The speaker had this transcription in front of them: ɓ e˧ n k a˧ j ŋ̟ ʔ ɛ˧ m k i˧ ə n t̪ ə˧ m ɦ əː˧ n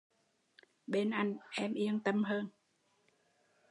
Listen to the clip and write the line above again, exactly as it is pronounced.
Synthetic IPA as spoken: ɓ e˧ n ʔ a˧ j ŋ̟ ʔ ɛ˧ m ʔ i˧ ə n t̪ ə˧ m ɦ əː˧ n